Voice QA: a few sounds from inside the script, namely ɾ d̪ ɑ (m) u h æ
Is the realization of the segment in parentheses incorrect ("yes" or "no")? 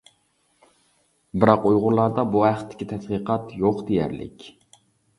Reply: yes